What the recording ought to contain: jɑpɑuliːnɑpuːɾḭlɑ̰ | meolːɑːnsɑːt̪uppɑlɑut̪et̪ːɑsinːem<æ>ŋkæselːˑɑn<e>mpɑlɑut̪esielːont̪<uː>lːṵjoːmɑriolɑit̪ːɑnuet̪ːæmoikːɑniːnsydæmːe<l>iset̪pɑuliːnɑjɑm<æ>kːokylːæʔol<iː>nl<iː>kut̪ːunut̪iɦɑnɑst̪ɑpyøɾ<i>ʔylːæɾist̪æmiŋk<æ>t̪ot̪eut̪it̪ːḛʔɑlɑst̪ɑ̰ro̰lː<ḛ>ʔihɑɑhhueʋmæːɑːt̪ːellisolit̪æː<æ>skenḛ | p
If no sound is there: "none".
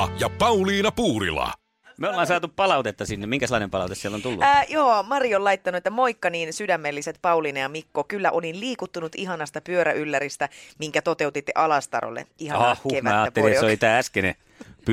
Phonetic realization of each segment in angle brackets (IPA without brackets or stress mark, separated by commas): i, e, u, lː, i, i, iː, æ, æ, ḛ, æ